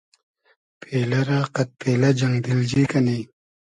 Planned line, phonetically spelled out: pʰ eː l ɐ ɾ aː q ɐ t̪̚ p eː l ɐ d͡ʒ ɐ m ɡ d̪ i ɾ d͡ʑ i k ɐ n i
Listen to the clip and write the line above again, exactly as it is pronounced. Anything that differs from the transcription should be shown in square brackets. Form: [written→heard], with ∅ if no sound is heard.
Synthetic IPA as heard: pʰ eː l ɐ ɾ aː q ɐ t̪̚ p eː l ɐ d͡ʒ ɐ [m→ŋ] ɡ d̪ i [ɾ→l] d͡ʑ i k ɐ n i